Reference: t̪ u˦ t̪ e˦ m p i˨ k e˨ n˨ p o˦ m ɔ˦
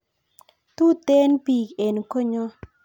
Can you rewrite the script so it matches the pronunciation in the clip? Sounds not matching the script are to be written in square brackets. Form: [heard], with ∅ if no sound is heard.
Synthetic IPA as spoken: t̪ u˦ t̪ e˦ [n] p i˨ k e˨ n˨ [k] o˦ [ɲ] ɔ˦